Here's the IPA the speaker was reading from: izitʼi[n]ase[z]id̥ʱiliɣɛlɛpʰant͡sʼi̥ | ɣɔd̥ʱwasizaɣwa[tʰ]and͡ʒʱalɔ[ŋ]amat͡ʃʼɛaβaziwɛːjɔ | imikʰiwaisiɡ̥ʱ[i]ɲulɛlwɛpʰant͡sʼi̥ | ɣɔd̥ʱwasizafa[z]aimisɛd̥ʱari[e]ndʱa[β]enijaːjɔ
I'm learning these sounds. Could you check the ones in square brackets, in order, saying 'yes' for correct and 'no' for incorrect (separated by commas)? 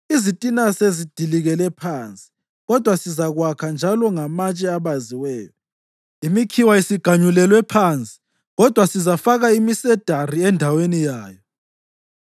yes, yes, no, yes, no, no, no, no